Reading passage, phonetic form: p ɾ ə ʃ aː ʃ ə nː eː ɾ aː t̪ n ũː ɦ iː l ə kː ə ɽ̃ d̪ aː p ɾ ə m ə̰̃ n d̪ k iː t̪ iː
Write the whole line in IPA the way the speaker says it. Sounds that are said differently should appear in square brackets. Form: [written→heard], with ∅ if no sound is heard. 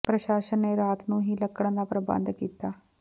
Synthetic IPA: p ɾ ə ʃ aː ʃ ə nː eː ɾ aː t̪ n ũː ɦ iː l ə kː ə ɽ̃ d̪ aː p ɾ ə [m→b] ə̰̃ n d̪ k iː t̪ [iː→aː]